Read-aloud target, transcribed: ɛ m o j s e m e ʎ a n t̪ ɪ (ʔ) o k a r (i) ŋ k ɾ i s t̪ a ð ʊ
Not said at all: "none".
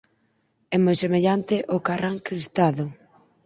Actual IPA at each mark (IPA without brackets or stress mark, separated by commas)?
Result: ʔ, a